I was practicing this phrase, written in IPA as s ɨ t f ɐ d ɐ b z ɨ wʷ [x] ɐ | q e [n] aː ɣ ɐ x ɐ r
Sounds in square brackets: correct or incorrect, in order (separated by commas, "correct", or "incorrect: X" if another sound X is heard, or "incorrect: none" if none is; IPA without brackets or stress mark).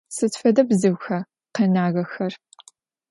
correct, correct